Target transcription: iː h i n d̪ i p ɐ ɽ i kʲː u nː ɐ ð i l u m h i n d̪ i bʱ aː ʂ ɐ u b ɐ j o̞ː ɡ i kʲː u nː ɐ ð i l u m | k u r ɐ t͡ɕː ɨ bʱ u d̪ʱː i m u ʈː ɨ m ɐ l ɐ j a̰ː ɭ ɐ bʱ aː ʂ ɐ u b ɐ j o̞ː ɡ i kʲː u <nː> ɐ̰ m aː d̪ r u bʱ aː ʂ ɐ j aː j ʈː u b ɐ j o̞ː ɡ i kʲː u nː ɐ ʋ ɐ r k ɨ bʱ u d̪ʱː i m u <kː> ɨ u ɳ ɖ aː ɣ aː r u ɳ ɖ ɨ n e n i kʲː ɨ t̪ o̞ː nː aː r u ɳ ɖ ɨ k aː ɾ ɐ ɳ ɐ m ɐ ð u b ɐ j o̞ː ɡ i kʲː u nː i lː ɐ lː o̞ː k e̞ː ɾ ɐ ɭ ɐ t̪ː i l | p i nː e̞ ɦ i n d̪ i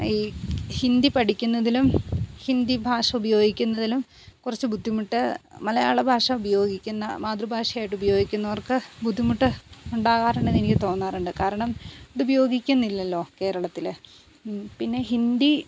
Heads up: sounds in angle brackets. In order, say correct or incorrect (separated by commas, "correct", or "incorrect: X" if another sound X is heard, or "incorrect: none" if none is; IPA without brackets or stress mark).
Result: correct, incorrect: ʈː